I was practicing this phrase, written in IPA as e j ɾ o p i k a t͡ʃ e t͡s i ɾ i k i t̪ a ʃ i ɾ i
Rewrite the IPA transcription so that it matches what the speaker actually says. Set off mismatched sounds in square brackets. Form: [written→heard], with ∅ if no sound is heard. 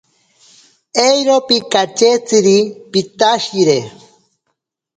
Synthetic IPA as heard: e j ɾ o p i k a t͡ʃ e t͡s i ɾ i [k→p] i t̪ a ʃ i ɾ [i→e]